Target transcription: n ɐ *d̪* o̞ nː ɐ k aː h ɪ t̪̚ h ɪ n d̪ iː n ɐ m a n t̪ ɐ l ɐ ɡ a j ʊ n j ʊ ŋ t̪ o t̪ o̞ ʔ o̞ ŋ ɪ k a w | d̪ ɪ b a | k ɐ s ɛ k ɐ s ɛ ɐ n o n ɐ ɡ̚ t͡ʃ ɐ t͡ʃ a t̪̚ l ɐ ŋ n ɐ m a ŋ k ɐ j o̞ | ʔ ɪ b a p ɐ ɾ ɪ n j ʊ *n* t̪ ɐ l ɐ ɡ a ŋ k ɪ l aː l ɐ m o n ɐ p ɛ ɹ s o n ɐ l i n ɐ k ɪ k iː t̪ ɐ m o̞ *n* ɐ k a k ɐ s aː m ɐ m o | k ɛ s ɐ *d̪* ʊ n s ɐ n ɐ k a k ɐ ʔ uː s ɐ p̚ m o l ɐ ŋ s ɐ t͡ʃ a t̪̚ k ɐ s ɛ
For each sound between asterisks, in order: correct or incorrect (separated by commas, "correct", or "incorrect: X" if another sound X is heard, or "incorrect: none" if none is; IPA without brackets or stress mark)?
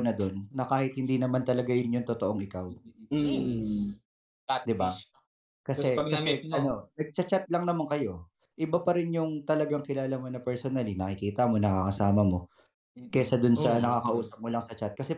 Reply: correct, incorrect: ŋ, correct, correct